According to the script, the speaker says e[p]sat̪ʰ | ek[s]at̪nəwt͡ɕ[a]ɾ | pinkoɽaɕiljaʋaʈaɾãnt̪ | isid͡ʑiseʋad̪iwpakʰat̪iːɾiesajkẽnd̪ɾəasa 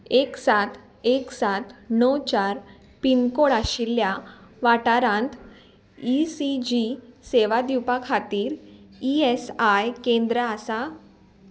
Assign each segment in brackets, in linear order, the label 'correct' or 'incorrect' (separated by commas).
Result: incorrect, correct, correct